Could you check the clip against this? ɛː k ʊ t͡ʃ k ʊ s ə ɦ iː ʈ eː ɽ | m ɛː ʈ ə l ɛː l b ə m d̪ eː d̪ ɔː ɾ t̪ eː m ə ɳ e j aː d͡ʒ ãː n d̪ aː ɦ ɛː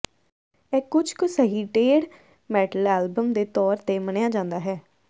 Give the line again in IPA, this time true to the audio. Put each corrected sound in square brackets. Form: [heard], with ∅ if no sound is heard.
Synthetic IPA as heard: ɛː k ʊ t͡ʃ k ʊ s ə ɦ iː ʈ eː ɽ | m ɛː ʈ ə l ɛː l b ə m d̪ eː [t̪] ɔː ɾ t̪ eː m ə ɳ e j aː d͡ʒ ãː n d̪ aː ɦ ɛː

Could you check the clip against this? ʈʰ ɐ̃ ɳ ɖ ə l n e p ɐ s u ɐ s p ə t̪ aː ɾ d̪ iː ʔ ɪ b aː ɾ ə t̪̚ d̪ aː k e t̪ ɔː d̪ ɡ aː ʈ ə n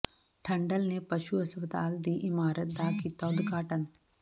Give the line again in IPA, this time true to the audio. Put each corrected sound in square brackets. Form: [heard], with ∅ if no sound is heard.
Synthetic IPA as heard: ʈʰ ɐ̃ ɳ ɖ ə l n e p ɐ [ʃ] u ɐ s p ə t̪ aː [l] d̪ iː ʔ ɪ [m] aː ɾ ə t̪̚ d̪ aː k [i] t̪ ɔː d̪ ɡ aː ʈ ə n

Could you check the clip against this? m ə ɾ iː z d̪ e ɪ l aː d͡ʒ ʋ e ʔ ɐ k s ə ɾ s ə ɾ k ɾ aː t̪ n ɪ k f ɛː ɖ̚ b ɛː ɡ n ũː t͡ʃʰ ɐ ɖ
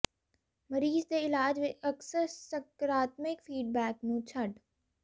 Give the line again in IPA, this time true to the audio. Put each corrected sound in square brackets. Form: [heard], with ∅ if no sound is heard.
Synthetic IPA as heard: m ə ɾ iː z d̪ e ɪ l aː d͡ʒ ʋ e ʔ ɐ k s ə ɾ s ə [∅] k ɾ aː t̪ [m] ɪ k f [iː] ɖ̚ b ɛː [k] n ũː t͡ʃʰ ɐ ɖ

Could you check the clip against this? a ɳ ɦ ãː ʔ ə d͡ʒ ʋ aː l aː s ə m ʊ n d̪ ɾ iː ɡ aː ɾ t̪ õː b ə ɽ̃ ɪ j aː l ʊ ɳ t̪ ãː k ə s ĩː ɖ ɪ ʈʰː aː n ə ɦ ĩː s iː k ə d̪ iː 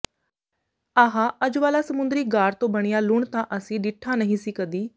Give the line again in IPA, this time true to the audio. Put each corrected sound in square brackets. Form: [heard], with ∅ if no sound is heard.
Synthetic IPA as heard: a [∅] ɦ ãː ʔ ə d͡ʒ ʋ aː l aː s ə m ʊ n d̪ ɾ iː ɡ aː ɾ t̪ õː b ə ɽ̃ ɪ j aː l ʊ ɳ t̪ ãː [ʔ] ə s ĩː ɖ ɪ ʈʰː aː n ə ɦ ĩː s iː k ə d̪ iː

